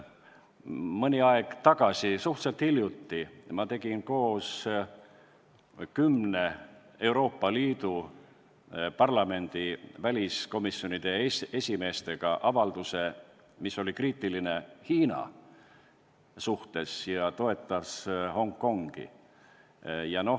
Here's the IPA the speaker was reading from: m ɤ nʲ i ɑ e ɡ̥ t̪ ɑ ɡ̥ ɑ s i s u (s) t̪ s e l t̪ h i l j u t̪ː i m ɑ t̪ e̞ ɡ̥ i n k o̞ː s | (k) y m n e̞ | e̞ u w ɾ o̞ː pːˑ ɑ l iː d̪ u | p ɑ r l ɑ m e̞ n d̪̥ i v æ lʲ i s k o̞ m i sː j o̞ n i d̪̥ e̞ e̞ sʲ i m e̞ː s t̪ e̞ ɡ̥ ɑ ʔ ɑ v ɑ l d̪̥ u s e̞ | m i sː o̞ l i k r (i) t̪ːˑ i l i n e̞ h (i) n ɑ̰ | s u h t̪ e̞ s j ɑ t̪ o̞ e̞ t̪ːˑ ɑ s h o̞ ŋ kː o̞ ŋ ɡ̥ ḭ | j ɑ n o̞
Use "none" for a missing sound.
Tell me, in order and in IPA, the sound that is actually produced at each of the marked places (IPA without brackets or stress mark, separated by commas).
h, k, iː, iː